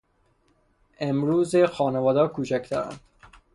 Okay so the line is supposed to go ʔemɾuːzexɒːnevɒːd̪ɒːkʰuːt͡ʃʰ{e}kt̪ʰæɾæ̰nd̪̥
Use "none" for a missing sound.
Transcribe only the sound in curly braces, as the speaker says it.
æ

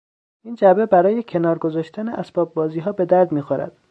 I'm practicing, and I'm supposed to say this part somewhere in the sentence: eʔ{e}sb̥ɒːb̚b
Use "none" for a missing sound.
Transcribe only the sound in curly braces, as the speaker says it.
æ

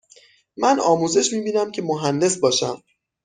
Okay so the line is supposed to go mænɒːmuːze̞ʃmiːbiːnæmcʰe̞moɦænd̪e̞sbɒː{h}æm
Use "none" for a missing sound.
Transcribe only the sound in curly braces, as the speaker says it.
ʃ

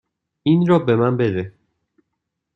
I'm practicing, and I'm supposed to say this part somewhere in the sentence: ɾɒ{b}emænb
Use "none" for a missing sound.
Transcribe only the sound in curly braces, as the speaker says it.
b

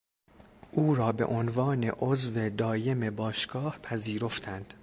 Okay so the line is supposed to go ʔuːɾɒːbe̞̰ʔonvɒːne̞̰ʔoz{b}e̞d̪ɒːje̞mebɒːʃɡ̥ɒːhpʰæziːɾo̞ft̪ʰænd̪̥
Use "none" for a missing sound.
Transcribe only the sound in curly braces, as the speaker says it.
v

